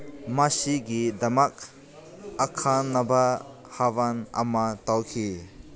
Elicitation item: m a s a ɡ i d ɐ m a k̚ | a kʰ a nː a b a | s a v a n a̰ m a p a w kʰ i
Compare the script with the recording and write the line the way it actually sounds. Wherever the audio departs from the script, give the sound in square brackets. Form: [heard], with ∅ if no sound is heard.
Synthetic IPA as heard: m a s [i] ɡ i d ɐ m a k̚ | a kʰ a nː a b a | [h] a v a n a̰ m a [t] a w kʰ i

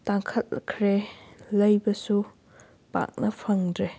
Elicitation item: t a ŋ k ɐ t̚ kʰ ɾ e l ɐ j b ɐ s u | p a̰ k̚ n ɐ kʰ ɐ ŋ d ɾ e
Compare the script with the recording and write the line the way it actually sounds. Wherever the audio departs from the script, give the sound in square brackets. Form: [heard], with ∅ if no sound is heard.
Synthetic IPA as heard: t a ŋ [kʰ] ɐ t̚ kʰ ɾ e l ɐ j b ɐ s u | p a̰ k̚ n ɐ [pʰ] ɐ ŋ d ɾ e

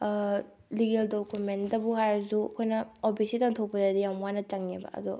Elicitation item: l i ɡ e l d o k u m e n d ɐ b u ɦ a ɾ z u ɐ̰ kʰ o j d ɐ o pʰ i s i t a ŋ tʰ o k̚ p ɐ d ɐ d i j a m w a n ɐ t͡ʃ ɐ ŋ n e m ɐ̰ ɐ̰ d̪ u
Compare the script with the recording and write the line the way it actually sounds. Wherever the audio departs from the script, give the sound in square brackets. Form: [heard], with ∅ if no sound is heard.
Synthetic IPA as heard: l i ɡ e l d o k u m e n d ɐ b u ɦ a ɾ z u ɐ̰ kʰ o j [n] ɐ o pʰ i s i t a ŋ tʰ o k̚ p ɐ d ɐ d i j a m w a n ɐ t͡ʃ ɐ ŋ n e [b] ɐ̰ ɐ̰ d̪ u

